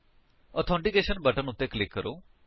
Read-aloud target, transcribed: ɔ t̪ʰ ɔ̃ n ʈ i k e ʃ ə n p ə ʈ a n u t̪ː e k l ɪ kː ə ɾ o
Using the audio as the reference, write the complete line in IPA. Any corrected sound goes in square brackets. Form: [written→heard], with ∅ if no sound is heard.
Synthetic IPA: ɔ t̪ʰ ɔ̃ [n→ɳ] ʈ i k e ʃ ə n [p→b] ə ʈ [a→ə] n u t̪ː e k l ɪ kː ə ɾ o